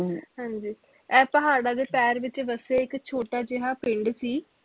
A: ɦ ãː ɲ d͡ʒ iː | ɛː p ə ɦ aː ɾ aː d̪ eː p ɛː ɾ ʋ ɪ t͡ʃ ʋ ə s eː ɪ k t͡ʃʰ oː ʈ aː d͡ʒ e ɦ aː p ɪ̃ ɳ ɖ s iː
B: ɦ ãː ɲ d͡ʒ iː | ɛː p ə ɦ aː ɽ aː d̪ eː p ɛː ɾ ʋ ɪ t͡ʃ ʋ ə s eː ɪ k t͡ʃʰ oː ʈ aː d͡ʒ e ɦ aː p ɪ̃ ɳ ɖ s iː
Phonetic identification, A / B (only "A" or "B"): B